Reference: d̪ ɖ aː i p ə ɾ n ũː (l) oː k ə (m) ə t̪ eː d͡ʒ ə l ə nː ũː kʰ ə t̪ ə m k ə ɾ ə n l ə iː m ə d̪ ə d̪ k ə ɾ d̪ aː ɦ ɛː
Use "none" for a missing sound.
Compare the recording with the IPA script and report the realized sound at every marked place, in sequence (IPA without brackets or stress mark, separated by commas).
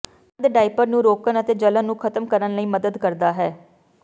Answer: ɾ, n